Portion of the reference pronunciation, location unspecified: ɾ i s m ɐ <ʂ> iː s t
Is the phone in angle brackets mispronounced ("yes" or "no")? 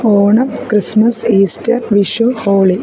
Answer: yes